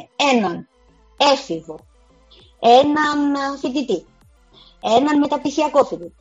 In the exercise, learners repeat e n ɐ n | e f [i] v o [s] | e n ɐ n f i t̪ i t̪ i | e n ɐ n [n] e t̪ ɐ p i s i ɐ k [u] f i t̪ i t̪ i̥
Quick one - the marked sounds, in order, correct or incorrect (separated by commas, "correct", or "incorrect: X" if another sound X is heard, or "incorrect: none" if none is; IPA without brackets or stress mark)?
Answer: correct, incorrect: none, incorrect: m, incorrect: o